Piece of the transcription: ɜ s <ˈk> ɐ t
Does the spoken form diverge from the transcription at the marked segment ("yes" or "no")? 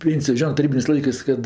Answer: no